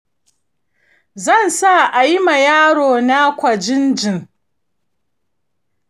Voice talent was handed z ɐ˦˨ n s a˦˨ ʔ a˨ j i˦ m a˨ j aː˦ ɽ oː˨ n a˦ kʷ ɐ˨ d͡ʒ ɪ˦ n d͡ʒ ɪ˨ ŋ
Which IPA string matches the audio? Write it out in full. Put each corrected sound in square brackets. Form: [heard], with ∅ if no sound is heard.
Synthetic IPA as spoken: z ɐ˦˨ n s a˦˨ ʔ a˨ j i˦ m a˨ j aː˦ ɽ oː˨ n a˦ kʷ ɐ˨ d͡ʒ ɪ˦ n d͡ʒ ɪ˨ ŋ

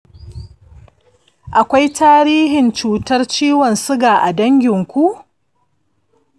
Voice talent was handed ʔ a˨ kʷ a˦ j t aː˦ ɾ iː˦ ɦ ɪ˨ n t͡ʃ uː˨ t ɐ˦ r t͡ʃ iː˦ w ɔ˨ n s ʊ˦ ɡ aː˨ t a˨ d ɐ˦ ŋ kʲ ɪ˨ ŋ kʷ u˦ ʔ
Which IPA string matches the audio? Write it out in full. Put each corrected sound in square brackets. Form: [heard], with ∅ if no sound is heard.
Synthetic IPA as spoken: ʔ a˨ kʷ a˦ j t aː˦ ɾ iː˦ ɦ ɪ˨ n t͡ʃ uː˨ t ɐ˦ r t͡ʃ iː˦ w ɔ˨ n s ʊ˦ ɡ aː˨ [ʔ] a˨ d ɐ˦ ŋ [ɡʲ] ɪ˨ ŋ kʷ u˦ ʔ

